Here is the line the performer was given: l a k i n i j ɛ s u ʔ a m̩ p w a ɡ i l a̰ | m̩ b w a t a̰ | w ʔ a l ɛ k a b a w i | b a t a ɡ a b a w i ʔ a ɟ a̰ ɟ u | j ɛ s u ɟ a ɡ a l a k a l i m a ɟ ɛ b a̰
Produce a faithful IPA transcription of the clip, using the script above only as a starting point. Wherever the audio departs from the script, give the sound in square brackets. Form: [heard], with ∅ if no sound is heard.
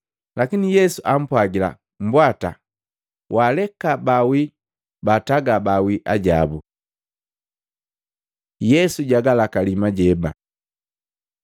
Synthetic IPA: l a k i n i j ɛ s u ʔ a m̩ p w a ɡ i l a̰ | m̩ b w a t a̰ | w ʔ a l ɛ k a b a w i | b a t a ɡ a b a w i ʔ a ɟ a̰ [b] u | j ɛ s u ɟ a ɡ a l a k a l i m a ɟ ɛ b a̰

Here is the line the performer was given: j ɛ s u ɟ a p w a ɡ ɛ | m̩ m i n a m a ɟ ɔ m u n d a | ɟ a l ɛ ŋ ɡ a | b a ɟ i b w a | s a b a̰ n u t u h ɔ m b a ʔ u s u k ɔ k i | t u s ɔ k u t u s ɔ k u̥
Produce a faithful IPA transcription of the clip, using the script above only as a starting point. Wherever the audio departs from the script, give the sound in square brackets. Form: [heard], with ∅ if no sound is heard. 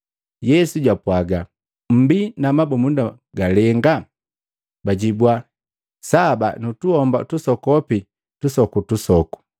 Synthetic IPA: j ɛ s u ɟ a p w a ɡ [a] | m̩ [b] i n a m a [b] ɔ m u n d a | [ɡ] a l ɛ ŋ ɡ a | b a ɟ i b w a | s a b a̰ n u t u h ɔ m b a [t] u s [ɔ] k ɔ [p] i | t u s ɔ k u t u s ɔ k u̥

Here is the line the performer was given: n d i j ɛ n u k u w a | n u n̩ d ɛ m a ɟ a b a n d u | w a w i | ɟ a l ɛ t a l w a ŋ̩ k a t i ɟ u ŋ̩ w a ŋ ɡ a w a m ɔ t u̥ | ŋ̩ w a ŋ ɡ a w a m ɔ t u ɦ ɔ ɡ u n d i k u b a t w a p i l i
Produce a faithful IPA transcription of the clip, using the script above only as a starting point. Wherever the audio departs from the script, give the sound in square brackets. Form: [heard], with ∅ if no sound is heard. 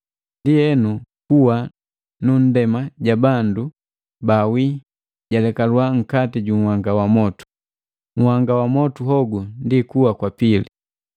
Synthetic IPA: n d i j ɛ n u k u w a | n u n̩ d ɛ m a ɟ a b a n d u | [b] a w i | ɟ a l ɛ [k] a l w a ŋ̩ k a t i ɟ u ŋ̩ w a ŋ ɡ a w a m ɔ t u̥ | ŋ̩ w a ŋ ɡ a w a m ɔ t u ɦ ɔ ɡ u n d i k u [w] a [k] w a p i l i

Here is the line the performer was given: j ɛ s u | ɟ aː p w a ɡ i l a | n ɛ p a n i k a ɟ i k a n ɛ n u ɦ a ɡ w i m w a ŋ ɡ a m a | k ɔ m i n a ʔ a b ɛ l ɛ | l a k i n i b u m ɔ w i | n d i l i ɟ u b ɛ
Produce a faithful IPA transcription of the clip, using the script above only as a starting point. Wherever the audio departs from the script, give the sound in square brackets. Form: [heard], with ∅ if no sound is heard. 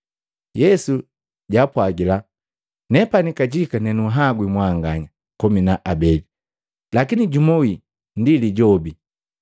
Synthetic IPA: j ɛ s u | ɟ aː p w a ɡ i l a | n ɛ p a n i k a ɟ i k a n ɛ n u ɦ a ɡ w i m w a ŋ ɡ a [ɲ] a | k ɔ m i n a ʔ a b ɛ l [i] | l a k i n i [ɟ] u m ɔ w i | n d i l i ɟ [ɔ] b [i]

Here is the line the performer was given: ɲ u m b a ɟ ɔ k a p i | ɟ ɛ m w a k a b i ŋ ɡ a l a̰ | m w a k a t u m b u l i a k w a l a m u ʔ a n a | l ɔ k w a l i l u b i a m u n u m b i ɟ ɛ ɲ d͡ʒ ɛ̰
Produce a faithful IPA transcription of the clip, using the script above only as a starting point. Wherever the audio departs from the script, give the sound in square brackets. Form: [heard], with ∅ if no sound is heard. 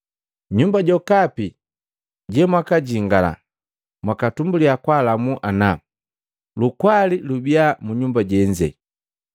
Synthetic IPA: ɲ u m b a ɟ ɔ k a p i | ɟ ɛ m w a k a [ɟ] i ŋ ɡ a l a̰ | m w a k a t u m b u l i a k w a l a m u ʔ a n a | l [u] k w a l i l u b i a m u [ɲ] u m b [a] ɟ ɛ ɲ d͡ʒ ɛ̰

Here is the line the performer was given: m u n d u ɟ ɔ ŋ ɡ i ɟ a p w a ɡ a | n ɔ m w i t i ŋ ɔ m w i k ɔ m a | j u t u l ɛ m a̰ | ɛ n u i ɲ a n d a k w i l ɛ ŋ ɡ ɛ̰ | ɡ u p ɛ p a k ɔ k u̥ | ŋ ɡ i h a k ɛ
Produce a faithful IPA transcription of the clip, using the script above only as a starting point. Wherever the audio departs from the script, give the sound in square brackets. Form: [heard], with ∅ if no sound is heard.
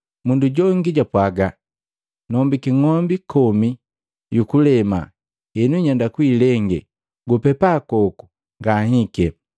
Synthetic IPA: m u n d u ɟ ɔ ŋ ɡ i ɟ a p w a ɡ a | n ɔ m [b] i [k] i ŋ ɔ m [b] i k ɔ m [i] | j u [k] u l ɛ m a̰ | ɛ n u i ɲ a n d a k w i l ɛ ŋ ɡ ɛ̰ | ɡ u p ɛ p a k ɔ k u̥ | ŋ ɡ [a] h [i] k ɛ

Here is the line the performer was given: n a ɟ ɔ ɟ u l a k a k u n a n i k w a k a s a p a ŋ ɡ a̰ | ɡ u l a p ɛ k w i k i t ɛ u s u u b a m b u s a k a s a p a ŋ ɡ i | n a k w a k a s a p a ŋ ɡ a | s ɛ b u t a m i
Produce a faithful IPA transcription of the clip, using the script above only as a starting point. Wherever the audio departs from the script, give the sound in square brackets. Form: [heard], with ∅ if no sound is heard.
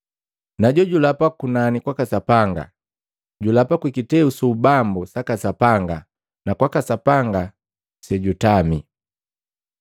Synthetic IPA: n a ɟ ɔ ɟ u l a [p] a k u n a n i k w a k a s a p a ŋ ɡ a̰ | [ɟ] u l a p [a] k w i k i t ɛ u s u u b a m b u s a k a s a p a ŋ ɡ [a] | n a k w a k a s a p a ŋ ɡ a | s ɛ [ɟ] u t a m i

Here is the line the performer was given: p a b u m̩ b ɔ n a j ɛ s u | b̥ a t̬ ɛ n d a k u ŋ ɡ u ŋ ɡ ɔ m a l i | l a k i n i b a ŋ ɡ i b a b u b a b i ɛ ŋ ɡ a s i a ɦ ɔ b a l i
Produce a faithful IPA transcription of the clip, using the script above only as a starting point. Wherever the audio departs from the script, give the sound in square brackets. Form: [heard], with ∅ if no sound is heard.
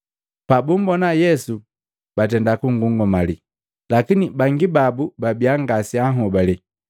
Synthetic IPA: p a b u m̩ b ɔ n a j ɛ s u | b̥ a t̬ ɛ n d a k u ŋ ɡ u ŋ ɡ ɔ m a l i | l a k i n i b a ŋ ɡ i b a b u b a b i [a] ŋ ɡ a s i a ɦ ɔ b a l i

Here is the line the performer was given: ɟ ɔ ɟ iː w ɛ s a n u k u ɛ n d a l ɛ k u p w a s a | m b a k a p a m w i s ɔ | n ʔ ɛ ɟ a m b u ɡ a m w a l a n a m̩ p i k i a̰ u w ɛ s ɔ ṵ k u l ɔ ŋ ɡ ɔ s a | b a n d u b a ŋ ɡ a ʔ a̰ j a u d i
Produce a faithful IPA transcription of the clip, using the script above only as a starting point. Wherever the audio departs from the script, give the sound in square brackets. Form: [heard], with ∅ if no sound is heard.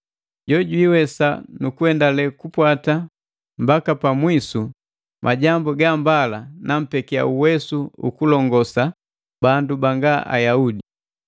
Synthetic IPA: ɟ ɔ ɟ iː w ɛ s a n u k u ɛ n d a l ɛ k u p w a [t] a | m b a k a p a m w i s [u] | [m] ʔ [a] ɟ a m b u ɡ a m [b] a l a n a m̩ p [ɛ] k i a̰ u w ɛ s [u] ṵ k u l ɔ ŋ ɡ ɔ s a | b a n d u b a ŋ ɡ a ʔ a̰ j a u d i

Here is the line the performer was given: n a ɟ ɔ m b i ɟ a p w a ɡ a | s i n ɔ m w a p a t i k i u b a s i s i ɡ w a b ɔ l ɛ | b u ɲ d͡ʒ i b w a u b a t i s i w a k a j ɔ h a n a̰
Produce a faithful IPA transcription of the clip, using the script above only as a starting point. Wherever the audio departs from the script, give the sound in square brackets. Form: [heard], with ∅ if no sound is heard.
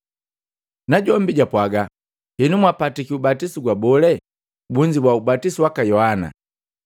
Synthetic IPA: n a ɟ ɔ m b i ɟ a p w a ɡ a | [h] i n [u] m w a p a t i k i u b a [t] i s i ɡ w a b ɔ l ɛ | b u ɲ d͡ʒ i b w a u b a t i s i w a k a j ɔ h a n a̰

